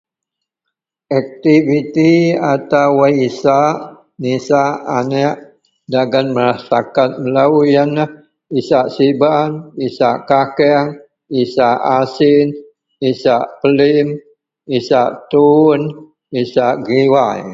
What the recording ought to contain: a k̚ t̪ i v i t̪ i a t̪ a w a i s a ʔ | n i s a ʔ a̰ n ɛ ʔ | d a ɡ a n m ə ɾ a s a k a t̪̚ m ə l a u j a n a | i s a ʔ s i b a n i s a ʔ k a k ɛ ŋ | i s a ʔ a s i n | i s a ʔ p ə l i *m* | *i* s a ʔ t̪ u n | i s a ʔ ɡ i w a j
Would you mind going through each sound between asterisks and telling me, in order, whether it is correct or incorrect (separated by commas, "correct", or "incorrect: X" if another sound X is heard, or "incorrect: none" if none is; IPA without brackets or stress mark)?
correct, correct